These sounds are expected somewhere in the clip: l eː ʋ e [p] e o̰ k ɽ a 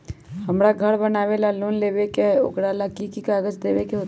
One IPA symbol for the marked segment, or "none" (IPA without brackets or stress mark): k